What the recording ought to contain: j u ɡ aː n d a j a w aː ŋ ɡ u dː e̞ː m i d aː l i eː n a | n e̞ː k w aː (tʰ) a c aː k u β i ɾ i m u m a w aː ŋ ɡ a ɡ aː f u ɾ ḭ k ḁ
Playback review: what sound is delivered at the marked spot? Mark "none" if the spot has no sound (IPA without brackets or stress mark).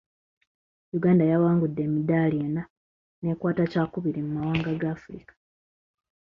t